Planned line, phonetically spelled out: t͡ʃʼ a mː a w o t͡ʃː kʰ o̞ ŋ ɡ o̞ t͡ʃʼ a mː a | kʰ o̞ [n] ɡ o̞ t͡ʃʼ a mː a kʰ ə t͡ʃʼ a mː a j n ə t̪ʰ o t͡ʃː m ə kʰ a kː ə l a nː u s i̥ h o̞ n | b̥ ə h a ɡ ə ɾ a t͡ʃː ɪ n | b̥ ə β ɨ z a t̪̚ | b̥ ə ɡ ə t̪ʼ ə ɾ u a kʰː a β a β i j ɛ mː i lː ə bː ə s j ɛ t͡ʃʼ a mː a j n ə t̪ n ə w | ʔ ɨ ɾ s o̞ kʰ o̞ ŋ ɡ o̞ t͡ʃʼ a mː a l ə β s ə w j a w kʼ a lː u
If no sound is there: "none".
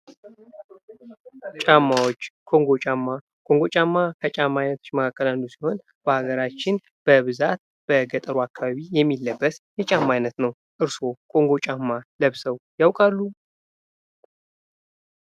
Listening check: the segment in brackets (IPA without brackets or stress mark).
ŋ